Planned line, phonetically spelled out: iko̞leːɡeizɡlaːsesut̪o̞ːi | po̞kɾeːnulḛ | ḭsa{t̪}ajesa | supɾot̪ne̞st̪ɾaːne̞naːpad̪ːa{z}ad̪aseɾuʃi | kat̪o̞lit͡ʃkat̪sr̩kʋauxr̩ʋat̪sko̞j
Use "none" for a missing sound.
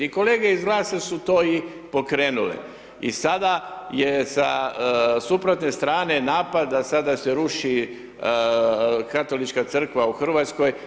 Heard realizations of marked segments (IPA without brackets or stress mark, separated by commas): d̪, s